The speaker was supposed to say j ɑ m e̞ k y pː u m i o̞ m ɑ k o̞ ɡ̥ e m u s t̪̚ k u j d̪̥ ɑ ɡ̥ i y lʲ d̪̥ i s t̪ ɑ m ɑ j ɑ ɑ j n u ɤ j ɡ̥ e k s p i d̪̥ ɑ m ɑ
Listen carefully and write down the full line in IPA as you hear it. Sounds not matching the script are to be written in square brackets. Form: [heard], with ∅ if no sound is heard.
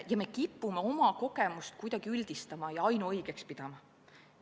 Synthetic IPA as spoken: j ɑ m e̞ k [i] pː u m [e] o̞ m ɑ k o̞ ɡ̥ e m u s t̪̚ k u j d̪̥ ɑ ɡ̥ i y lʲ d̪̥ i s t̪ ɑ m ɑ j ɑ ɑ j n u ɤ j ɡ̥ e k s p i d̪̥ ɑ m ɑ